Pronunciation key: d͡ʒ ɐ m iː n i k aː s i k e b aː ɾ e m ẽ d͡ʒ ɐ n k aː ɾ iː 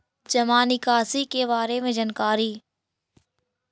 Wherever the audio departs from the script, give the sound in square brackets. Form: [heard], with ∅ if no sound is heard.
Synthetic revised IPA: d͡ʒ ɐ m [aː] n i k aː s i k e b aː ɾ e m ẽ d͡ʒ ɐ n k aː ɾ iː

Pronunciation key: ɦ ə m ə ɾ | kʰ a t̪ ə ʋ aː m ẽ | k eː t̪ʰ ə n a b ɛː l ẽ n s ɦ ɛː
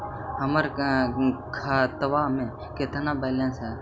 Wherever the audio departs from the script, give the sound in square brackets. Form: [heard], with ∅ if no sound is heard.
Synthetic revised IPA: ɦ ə m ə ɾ | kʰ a t̪ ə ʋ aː m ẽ | k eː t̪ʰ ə n a b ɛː l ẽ n s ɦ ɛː

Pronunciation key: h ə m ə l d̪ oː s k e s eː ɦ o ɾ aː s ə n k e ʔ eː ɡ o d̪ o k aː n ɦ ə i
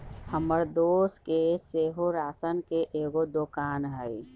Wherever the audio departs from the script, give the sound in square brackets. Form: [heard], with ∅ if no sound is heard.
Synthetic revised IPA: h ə m ə [ɾ] d̪ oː s k e s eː ɦ o ɾ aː s ə n k e ʔ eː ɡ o d̪ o k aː n ɦ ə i

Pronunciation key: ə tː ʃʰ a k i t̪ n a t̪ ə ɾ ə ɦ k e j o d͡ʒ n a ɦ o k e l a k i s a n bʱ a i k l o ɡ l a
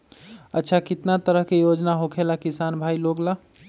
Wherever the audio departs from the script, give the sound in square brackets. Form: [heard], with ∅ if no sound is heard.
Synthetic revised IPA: ə tː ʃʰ a k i t̪ n a t̪ ə ɾ ə ɦ k e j o d͡ʒ n a ɦ o [kʰ] e l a k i s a n bʱ a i [∅] l o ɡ l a

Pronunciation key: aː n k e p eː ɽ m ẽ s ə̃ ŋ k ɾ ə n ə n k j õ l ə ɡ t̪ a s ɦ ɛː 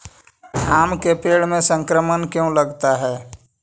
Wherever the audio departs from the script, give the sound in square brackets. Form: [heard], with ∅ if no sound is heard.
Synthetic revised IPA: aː [m] k e p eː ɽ m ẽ s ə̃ ŋ k ɾ ə [m] ə n k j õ l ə ɡ t̪ a [∅] ɦ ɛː

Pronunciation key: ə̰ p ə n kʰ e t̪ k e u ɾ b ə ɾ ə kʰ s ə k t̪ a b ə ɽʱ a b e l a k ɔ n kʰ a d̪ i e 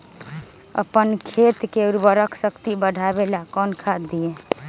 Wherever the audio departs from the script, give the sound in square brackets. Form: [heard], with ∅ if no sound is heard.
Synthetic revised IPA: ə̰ p ə n kʰ e t̪ k e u ɾ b ə ɾ ə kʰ s ə k t̪ [i] b ə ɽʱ a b e l a k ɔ n kʰ a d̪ i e

